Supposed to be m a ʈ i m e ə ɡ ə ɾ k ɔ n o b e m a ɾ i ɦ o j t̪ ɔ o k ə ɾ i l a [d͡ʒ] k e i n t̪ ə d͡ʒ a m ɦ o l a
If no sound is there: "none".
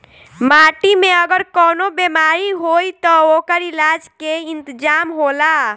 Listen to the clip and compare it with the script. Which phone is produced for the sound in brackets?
d͡ʒ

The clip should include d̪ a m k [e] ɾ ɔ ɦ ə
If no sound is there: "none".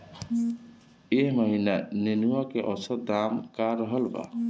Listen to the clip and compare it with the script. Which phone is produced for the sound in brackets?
a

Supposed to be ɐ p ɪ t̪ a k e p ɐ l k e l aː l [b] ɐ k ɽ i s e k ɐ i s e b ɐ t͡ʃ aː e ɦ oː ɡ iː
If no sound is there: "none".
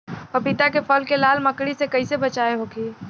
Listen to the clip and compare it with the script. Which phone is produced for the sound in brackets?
m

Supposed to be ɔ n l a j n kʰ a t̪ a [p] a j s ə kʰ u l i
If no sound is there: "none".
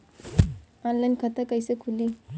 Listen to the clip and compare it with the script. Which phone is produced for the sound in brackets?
k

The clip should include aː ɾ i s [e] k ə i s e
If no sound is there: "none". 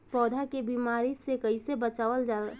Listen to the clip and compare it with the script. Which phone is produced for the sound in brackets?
e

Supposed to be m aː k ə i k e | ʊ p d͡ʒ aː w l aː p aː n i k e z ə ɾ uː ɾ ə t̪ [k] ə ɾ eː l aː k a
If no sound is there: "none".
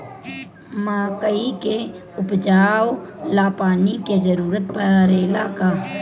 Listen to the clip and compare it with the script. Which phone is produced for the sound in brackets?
p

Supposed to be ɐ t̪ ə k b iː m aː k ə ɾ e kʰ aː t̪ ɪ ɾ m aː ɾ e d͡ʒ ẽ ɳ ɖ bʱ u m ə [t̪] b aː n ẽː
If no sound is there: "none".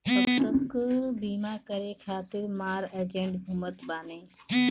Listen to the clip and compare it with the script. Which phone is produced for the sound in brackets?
t̪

